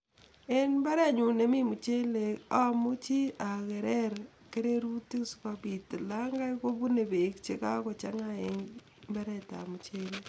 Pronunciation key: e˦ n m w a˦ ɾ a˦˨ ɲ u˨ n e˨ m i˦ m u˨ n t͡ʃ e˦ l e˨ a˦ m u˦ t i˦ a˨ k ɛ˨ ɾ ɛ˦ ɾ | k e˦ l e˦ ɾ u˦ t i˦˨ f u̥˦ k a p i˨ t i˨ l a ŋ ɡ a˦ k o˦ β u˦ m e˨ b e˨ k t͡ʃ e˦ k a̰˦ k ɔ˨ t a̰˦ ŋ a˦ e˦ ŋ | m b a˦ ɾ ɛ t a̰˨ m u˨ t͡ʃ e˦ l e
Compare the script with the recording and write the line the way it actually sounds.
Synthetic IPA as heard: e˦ n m b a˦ ɾ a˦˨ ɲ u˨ n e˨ m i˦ m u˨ t͡ʃ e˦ l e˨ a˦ m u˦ t͡ʃ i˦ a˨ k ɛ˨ ɾ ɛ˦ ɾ | k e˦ ɾ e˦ ɾ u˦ t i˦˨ s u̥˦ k a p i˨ t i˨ l a ŋ ɡ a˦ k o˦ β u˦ n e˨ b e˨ k t͡ʃ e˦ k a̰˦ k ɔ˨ t͡ʃ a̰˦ ŋ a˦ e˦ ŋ | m b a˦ ɾ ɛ t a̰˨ m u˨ t͡ʃ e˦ l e